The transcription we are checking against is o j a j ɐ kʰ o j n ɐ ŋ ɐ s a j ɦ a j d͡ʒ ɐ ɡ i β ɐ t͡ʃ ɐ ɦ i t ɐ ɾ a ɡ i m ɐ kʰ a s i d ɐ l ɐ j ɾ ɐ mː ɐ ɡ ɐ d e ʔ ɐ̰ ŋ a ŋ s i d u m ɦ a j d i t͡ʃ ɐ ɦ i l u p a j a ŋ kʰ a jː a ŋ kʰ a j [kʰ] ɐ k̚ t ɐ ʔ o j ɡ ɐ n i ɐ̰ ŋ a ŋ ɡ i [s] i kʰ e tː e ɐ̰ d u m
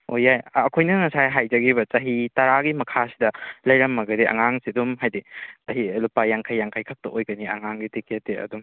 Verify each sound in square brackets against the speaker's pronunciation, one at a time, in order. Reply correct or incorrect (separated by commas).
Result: correct, incorrect